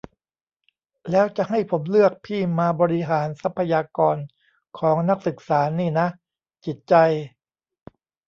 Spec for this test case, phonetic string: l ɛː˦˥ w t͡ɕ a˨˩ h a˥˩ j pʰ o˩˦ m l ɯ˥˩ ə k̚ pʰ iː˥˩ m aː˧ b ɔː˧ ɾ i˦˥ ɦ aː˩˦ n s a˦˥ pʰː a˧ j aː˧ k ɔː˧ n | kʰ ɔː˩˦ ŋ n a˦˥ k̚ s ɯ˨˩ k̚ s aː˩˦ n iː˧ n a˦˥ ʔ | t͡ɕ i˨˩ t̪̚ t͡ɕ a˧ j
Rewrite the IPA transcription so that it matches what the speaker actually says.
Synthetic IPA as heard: l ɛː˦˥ w t͡ɕ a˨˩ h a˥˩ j pʰ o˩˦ m l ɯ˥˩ ə k̚ pʰ iː˥˩ m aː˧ b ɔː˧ ɾ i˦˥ ɦ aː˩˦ n s a˦˥ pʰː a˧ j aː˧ k ɔː˧ n | kʰ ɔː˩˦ ŋ n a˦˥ k̚ s ɯ˨˩ k̚ s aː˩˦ n iː˥˩ n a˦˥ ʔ | t͡ɕ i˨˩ t̪̚ t͡ɕ a˧ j